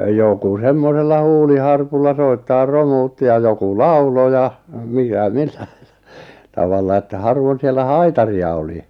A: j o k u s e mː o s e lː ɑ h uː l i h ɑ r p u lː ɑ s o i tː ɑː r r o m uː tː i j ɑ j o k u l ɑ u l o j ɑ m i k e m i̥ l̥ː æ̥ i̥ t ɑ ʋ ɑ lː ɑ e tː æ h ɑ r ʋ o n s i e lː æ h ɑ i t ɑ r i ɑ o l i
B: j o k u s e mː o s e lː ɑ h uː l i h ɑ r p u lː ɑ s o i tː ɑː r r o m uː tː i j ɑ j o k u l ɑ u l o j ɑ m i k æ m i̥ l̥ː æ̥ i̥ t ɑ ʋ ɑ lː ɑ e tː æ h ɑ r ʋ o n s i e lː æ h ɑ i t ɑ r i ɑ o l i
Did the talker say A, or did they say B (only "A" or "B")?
B